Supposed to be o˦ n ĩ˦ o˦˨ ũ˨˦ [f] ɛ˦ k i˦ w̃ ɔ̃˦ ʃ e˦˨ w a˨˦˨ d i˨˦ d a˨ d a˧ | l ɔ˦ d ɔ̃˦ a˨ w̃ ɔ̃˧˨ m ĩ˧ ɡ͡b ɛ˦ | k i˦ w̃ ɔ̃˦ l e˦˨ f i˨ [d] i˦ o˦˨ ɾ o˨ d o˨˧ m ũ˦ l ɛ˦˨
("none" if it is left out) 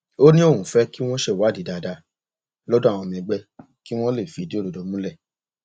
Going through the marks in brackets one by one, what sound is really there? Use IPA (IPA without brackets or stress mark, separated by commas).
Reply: f, d